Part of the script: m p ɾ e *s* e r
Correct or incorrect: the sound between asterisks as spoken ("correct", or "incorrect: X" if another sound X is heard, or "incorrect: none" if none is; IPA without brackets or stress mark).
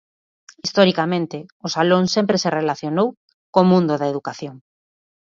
correct